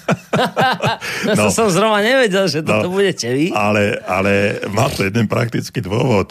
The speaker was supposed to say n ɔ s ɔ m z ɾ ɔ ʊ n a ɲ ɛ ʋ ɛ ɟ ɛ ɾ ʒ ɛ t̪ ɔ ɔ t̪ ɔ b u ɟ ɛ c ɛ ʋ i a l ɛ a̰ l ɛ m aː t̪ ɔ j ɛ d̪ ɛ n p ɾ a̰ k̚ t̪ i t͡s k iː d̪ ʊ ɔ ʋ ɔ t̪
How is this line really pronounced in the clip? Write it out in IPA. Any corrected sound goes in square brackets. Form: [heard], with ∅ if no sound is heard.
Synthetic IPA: n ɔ s ɔ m z ɾ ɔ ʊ n a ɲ ɛ ʋ ɛ ɟ ɛ [l] ʒ ɛ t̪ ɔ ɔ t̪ ɔ b u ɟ ɛ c ɛ ʋ i a l ɛ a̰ l ɛ m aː t̪ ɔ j ɛ d̪ ɛ n p ɾ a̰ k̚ t̪ i t͡s k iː d̪ ʊ ɔ ʋ ɔ t̪